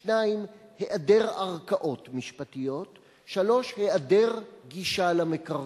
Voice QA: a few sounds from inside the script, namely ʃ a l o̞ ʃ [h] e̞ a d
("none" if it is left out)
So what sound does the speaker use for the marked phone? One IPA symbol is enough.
h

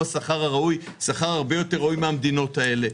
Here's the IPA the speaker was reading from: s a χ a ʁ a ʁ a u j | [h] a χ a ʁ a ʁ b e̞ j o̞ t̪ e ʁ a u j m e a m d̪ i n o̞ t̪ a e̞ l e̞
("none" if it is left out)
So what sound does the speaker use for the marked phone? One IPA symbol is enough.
s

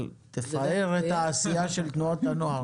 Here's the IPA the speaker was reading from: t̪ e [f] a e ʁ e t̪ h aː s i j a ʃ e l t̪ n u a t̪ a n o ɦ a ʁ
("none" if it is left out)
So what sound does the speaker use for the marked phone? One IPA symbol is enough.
f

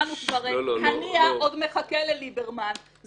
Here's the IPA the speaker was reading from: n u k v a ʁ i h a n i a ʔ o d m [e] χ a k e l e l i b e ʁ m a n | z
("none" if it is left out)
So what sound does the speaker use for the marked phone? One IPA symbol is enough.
e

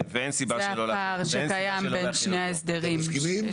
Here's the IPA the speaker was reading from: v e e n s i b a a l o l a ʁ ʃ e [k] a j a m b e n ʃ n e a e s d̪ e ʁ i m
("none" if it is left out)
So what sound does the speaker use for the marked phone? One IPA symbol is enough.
k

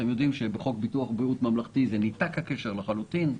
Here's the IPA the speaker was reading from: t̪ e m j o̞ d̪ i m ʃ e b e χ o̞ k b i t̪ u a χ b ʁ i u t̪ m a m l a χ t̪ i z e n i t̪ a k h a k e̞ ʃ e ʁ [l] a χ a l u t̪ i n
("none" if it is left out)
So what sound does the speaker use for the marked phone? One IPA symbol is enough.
l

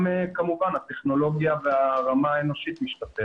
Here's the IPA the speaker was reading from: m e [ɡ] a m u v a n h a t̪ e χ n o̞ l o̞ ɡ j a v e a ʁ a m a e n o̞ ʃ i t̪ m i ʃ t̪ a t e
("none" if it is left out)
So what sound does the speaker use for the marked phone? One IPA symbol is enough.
k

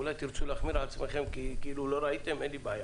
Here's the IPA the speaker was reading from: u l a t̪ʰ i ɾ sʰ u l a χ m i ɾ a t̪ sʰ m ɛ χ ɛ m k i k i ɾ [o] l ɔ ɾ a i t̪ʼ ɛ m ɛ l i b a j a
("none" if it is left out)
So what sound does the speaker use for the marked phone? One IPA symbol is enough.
u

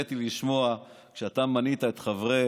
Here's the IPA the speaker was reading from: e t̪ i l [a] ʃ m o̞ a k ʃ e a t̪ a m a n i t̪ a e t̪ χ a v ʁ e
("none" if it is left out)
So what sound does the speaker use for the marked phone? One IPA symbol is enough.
i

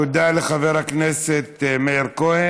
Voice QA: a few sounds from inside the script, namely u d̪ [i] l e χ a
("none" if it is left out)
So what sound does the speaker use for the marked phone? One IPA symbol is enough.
a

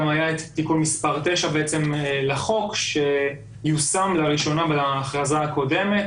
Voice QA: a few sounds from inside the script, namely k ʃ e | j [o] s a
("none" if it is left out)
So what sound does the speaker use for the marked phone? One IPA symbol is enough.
u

